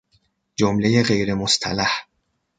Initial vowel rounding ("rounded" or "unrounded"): rounded